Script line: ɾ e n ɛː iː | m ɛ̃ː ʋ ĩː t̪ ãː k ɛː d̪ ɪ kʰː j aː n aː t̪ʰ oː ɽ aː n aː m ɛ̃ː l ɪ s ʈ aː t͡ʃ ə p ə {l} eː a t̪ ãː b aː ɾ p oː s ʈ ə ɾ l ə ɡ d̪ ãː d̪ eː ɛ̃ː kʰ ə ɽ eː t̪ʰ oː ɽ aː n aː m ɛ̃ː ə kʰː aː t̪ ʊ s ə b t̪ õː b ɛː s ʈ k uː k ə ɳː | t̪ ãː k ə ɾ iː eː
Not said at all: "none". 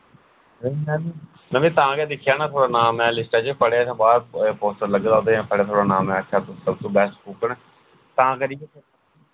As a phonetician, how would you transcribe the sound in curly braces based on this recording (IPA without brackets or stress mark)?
ɽ